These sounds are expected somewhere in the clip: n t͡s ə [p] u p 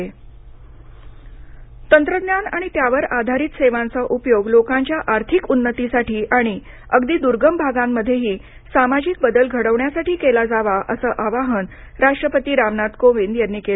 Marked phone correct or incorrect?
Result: incorrect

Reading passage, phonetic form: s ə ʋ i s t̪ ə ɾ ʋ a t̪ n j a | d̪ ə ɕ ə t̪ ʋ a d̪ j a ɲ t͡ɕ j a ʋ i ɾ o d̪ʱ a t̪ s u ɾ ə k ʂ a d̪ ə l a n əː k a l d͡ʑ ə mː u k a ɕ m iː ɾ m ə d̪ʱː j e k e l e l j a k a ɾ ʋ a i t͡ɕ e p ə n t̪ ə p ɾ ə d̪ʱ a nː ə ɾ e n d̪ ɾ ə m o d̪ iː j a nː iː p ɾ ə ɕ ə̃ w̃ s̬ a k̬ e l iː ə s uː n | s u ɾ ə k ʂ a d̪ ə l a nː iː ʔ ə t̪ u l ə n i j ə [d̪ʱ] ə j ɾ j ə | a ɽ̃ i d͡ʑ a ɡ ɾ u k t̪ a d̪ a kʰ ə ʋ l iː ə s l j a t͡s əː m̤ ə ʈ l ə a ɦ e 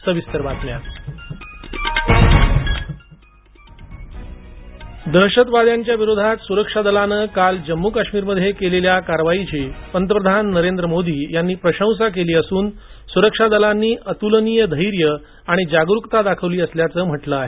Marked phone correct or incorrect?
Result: correct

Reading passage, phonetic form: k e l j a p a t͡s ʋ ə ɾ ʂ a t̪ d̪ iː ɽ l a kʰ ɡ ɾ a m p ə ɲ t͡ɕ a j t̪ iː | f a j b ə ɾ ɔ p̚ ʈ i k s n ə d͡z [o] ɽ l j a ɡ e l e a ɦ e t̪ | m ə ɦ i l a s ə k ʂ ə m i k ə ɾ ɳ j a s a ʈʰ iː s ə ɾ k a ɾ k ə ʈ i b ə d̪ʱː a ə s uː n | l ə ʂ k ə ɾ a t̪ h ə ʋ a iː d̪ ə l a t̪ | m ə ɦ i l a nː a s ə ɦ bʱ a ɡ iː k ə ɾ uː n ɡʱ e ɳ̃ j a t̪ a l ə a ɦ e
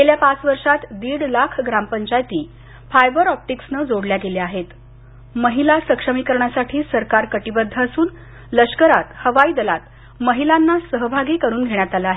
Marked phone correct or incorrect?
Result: correct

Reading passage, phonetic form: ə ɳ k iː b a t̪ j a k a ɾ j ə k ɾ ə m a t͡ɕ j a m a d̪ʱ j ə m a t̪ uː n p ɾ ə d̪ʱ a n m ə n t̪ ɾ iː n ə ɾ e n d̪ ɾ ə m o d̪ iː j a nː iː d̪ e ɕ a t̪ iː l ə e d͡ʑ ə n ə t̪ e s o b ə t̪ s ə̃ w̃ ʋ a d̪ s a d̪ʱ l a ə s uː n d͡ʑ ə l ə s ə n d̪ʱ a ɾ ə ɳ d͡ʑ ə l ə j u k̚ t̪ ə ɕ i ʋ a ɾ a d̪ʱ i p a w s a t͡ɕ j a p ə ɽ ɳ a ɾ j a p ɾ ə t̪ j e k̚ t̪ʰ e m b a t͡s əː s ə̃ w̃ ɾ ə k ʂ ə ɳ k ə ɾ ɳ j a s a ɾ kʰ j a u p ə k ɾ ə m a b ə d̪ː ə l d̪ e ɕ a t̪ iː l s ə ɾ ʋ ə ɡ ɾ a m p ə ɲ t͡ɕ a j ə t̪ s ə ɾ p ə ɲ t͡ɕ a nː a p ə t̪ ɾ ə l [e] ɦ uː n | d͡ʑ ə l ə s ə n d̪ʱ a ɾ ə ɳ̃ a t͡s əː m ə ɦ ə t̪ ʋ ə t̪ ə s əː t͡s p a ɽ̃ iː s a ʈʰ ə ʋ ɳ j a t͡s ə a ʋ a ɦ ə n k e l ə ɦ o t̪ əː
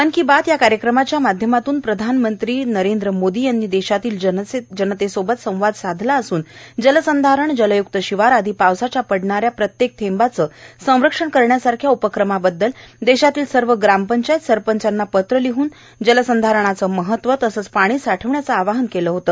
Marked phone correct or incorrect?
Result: incorrect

